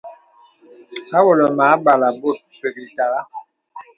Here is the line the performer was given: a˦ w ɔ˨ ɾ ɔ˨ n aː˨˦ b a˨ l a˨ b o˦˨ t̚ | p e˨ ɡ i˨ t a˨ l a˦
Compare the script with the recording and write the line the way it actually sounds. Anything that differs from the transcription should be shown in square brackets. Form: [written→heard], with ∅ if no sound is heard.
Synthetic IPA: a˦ w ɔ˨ [ɾ→l] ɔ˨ [n→m] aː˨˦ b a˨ l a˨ b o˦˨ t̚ | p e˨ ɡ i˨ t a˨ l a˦